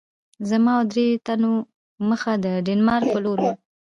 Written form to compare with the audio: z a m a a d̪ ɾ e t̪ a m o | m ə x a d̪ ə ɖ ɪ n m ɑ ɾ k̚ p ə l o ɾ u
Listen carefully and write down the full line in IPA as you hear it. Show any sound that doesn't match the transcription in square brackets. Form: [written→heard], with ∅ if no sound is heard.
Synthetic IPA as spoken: z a m [a→ɑ] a d̪ ɾ e t̪ a [m→n] o | m ə x a d̪ ə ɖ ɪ n m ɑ ɾ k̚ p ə l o ɾ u